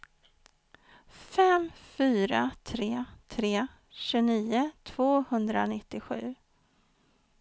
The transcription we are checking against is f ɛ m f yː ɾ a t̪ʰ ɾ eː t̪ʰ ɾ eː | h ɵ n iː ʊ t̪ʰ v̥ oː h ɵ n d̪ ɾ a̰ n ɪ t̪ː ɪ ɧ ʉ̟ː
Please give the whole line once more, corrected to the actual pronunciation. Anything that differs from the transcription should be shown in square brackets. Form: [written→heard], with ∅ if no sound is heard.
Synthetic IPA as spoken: f ɛ m f yː ɾ a t̪ʰ ɾ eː t̪ʰ ɾ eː | [h→ɕ] ɵ n iː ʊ t̪ʰ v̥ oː h ɵ n d̪ ɾ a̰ n ɪ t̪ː ɪ ɧ ʉ̟ː